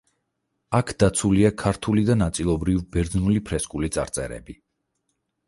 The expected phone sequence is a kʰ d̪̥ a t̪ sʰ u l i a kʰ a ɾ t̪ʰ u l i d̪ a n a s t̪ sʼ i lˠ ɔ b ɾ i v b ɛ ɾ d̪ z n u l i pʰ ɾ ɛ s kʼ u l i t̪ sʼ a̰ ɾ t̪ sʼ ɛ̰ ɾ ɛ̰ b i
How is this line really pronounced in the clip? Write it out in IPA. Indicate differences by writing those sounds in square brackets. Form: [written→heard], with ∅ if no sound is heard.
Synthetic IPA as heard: a kʰ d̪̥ a t̪ sʰ u l i a kʰ a ɾ t̪ʰ u l i d̪ a n a [s→∅] t̪ sʼ i lˠ ɔ b ɾ i v b ɛ ɾ d̪ z n u l i pʰ ɾ ɛ s kʼ u l i t̪ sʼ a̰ ɾ t̪ sʼ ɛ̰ ɾ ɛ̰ b i